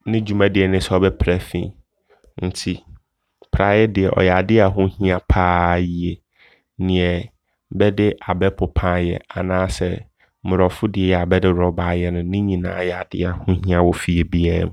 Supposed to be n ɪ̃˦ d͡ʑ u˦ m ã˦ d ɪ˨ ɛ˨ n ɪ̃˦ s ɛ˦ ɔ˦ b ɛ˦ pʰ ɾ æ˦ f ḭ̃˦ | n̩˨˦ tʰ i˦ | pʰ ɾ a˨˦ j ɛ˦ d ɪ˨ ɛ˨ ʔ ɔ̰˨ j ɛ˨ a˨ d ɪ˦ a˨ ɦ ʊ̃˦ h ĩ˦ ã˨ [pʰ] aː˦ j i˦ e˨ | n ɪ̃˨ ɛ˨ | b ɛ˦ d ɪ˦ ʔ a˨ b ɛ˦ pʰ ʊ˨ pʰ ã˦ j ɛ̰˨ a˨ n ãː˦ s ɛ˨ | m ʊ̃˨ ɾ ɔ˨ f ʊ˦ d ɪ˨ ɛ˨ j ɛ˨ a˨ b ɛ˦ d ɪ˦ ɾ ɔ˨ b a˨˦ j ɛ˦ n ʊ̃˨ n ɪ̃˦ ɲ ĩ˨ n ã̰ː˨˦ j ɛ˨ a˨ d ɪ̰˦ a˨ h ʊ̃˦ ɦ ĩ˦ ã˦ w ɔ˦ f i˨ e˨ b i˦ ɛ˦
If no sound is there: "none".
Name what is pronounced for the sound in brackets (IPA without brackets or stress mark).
pʰ